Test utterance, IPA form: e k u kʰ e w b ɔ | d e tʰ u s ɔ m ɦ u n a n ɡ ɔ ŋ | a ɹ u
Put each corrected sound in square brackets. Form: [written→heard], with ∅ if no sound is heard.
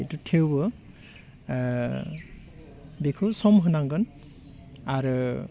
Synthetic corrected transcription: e [k→t] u [kʰ→tʰ] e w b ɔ | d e [tʰ→kʰ] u s ɔ m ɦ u n a [n→ŋ] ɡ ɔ [ŋ→n] | a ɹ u